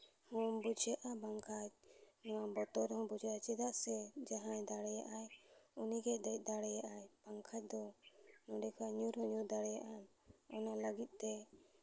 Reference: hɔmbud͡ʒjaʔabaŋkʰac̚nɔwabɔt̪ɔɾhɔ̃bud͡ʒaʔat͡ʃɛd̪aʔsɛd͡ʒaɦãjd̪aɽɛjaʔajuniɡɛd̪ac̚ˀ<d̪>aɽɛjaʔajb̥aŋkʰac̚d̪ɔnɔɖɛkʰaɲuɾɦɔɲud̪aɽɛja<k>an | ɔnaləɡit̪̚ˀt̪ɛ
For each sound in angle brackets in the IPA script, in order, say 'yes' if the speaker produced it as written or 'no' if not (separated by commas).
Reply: yes, no